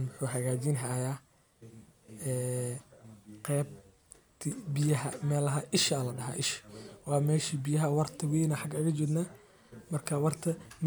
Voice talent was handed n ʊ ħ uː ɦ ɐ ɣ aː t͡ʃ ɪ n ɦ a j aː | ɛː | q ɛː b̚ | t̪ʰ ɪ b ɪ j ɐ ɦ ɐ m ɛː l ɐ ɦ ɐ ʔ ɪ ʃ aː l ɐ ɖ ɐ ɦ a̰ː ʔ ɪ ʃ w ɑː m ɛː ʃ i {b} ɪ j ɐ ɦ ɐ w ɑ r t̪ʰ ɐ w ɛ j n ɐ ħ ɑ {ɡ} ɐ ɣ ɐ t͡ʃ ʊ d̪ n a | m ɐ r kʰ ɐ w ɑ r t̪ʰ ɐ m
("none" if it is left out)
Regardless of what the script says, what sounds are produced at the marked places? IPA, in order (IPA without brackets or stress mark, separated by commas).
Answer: b, ɡ